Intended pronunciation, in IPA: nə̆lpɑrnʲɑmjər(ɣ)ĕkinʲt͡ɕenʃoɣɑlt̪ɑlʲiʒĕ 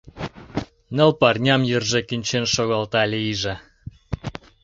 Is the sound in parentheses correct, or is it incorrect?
incorrect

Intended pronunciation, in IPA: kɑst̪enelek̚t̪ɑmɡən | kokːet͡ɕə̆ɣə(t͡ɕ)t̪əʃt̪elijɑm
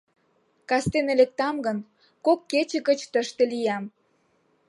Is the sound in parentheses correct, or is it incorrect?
correct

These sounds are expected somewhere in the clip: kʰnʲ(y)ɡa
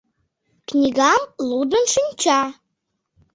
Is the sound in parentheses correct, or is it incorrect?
incorrect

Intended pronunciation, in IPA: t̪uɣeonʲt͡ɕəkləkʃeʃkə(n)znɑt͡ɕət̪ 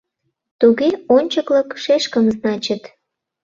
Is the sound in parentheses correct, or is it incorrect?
incorrect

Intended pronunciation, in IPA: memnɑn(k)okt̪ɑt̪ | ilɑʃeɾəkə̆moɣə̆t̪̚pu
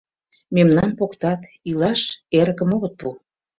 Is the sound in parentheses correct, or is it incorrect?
incorrect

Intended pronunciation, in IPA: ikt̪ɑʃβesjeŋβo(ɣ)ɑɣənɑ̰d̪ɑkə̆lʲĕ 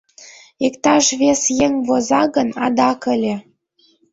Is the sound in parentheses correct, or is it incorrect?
incorrect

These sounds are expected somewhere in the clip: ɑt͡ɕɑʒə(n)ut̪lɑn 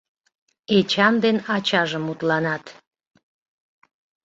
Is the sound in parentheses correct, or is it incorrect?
incorrect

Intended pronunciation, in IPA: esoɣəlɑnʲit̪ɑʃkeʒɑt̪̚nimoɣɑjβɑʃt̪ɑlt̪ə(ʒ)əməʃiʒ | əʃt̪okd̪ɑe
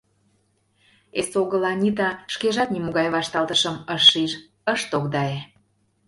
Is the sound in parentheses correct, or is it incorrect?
incorrect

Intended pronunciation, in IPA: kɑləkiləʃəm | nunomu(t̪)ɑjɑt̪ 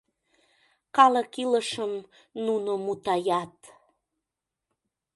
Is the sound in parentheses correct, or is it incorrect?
correct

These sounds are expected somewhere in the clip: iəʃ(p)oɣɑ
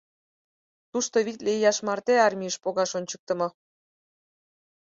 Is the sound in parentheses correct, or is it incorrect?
correct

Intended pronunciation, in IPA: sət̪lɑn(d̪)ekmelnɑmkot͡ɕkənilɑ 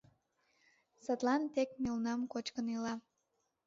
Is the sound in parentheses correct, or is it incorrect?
incorrect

